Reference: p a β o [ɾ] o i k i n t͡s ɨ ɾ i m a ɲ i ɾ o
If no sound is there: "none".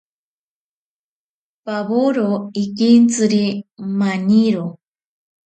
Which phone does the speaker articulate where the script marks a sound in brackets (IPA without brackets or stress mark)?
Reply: ɾ